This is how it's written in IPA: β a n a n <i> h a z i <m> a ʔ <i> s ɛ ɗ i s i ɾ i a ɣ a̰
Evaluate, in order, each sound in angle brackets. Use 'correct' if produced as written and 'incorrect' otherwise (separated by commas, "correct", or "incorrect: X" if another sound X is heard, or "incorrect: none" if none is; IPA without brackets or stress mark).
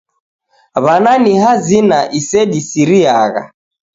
correct, incorrect: n, correct